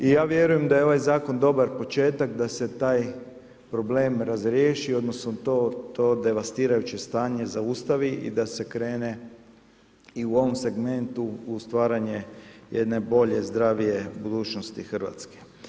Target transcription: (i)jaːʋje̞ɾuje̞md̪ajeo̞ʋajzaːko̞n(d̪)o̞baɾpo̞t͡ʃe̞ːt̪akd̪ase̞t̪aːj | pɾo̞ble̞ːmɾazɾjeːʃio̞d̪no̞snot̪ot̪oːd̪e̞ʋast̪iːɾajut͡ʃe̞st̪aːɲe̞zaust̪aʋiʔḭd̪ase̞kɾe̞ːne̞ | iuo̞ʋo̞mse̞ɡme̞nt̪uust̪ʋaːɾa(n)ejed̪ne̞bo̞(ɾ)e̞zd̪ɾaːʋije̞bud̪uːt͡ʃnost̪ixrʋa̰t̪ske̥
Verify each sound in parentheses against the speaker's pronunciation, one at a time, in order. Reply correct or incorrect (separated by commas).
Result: correct, correct, incorrect, incorrect